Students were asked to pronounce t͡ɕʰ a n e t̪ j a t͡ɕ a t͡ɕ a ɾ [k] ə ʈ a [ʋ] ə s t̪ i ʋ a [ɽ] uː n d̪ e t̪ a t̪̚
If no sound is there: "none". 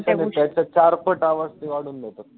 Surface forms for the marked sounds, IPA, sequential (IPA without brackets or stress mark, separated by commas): p, ʋ, ɽ